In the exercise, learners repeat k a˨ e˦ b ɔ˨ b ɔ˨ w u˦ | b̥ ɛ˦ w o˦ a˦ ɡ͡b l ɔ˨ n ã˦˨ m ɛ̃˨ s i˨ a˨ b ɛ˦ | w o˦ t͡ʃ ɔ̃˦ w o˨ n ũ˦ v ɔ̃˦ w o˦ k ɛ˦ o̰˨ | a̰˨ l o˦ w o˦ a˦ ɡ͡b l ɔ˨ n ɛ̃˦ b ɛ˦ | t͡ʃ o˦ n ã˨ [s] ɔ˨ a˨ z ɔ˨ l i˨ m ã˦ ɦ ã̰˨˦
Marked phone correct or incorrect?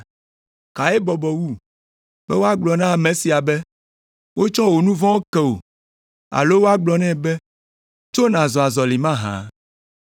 incorrect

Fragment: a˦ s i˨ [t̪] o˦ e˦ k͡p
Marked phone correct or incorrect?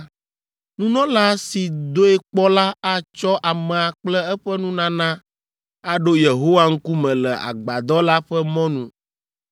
incorrect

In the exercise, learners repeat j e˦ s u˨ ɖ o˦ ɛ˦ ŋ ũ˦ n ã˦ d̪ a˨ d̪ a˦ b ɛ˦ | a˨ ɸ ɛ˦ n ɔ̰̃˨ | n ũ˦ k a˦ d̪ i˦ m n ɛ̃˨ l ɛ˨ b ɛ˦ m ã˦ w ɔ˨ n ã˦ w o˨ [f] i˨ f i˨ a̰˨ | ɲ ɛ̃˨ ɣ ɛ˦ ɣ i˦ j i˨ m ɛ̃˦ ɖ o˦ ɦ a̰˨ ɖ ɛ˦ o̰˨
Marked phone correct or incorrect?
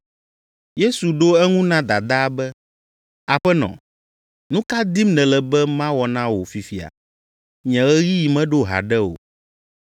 correct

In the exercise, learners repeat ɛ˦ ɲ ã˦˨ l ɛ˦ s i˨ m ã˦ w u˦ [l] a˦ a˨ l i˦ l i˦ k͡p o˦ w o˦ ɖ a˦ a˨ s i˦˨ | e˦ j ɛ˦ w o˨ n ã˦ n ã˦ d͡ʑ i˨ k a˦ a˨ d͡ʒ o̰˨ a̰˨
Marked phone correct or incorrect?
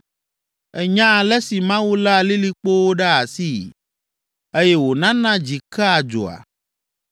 correct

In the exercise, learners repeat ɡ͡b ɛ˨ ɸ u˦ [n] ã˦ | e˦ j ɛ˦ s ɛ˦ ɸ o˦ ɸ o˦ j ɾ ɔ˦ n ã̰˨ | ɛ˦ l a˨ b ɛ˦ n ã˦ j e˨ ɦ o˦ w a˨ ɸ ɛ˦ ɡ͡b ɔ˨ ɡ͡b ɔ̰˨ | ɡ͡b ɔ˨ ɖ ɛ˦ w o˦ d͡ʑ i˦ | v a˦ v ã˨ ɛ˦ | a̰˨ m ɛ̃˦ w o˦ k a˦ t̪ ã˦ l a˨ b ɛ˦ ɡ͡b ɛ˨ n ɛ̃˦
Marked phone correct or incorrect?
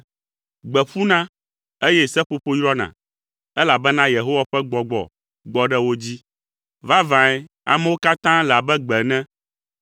correct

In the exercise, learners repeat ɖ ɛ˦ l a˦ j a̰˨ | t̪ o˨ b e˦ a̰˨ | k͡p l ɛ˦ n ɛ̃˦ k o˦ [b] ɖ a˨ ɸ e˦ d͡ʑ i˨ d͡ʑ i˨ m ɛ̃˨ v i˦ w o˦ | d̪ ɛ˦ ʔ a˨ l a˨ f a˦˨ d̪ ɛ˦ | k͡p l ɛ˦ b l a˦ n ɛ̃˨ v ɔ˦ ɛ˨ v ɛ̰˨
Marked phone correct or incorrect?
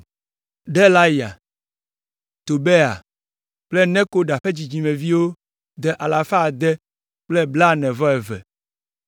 incorrect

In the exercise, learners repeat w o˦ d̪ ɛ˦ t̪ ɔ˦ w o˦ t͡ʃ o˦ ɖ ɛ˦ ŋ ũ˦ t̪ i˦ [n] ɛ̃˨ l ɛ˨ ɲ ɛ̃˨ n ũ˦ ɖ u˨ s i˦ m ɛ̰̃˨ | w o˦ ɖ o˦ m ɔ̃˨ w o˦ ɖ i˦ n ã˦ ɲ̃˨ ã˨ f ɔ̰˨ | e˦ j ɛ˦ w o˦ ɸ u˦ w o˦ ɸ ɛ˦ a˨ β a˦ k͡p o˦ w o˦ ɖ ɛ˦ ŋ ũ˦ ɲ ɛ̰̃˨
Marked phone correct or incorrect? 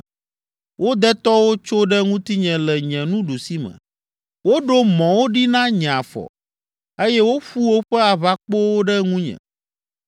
incorrect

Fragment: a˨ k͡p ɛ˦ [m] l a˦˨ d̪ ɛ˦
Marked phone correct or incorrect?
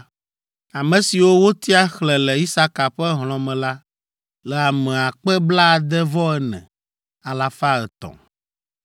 incorrect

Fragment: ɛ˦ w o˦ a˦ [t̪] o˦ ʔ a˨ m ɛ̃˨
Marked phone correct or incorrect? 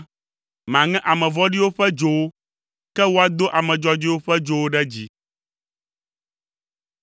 incorrect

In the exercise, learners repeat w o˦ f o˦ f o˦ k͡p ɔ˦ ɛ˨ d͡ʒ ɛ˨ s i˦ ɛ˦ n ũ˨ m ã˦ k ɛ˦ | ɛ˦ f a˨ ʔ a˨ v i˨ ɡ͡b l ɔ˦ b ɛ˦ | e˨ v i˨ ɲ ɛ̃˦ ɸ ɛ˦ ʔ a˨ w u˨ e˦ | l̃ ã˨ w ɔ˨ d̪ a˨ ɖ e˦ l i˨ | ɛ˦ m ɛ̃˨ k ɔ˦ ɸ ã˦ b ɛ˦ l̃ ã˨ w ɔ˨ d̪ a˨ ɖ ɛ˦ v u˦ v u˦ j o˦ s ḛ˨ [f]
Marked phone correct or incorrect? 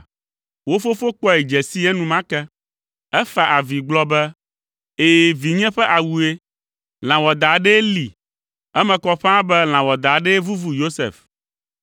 correct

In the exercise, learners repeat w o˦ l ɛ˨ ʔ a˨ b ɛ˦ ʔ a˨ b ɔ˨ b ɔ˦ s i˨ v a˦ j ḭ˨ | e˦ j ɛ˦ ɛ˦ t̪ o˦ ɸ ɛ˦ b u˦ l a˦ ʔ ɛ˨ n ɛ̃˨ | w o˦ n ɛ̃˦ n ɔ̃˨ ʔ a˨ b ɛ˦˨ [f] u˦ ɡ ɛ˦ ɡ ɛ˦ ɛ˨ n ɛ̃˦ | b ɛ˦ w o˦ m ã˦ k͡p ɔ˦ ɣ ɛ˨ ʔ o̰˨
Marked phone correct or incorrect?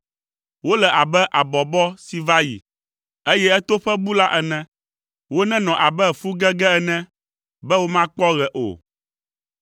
correct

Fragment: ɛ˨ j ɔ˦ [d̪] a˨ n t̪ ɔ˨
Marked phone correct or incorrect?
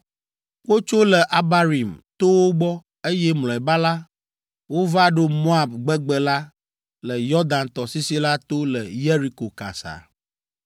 correct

